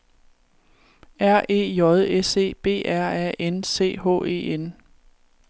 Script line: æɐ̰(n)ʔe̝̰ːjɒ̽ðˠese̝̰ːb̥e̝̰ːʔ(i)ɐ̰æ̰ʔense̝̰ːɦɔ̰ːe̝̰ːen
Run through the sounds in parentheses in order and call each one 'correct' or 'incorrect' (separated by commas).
incorrect, incorrect